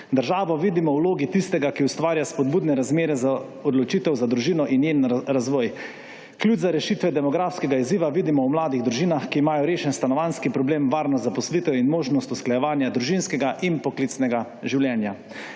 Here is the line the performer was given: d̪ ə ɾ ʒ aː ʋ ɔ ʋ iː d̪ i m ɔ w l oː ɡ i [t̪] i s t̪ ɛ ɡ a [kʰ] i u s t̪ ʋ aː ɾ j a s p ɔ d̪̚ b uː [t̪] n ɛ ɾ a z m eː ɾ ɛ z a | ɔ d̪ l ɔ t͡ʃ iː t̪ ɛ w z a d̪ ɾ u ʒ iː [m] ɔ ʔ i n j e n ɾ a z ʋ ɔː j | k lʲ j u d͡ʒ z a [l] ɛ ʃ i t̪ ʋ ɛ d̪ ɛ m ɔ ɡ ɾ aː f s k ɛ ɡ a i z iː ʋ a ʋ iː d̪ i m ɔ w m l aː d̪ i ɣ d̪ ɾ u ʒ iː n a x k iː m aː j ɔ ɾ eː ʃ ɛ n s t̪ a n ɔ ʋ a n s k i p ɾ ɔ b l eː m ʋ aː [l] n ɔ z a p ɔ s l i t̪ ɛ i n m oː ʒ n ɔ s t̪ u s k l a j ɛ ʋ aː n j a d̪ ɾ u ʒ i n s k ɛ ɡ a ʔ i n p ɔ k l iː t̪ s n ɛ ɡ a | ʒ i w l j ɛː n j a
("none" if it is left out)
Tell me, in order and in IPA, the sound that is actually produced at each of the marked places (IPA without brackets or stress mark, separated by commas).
t̪, k, d̪, n, ɾ, ɾ